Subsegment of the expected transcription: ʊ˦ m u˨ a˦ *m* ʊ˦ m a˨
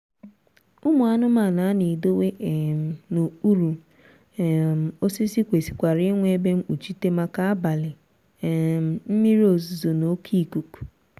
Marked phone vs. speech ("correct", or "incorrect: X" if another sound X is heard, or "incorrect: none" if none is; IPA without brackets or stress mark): incorrect: n